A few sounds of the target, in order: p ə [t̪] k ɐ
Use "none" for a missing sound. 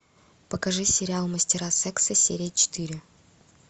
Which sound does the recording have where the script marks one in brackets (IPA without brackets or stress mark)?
none